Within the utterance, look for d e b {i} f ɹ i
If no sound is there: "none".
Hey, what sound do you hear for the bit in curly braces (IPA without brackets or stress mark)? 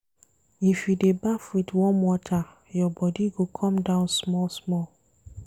a